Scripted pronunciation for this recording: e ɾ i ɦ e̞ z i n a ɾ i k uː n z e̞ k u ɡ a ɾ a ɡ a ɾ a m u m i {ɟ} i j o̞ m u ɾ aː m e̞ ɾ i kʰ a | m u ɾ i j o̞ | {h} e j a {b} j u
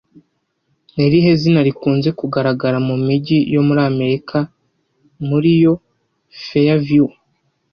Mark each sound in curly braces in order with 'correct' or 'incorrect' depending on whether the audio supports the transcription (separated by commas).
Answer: correct, incorrect, incorrect